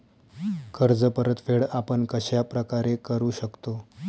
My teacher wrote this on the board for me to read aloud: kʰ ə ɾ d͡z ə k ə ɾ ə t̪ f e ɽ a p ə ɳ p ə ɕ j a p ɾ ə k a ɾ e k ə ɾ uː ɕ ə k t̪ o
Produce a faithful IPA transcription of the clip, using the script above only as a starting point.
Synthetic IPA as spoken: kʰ ə ɾ d͡z ə p ə ɾ ə t̪ f e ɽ a p ə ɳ k ə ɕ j a p ɾ ə k a ɾ e k ə ɾ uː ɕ ə k t̪ o